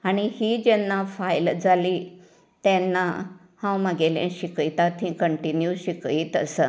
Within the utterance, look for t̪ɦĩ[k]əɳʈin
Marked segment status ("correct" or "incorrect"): correct